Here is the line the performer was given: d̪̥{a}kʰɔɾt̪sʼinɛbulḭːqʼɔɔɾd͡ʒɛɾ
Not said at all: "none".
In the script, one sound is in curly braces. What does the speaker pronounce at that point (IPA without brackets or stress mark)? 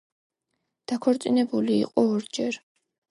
a